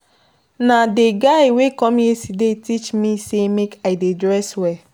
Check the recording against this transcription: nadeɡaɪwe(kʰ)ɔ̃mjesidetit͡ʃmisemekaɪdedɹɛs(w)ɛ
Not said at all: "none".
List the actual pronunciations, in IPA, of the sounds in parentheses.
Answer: k, w

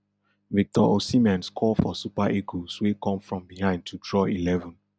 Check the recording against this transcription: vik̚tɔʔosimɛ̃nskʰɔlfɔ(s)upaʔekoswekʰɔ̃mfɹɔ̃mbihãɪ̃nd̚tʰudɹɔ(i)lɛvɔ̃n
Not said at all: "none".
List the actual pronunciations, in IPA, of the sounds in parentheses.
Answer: s, i

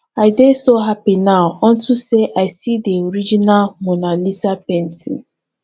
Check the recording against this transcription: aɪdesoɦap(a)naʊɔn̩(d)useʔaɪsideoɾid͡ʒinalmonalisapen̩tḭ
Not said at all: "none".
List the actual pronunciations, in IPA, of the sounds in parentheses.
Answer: i, t

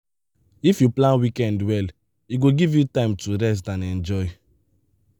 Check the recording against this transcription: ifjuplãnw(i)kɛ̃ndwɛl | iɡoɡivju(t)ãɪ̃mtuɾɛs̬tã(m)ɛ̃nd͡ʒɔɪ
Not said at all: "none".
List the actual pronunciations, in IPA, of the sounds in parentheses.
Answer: i, t, n

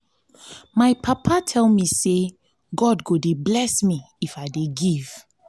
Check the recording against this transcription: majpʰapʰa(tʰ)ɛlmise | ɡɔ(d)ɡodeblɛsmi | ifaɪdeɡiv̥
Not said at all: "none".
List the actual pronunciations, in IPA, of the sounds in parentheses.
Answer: tʰ, d

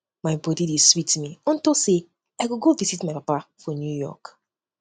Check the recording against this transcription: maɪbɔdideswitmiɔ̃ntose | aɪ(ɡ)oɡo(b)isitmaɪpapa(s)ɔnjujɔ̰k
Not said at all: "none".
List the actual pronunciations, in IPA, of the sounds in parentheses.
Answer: ɡ, v, f

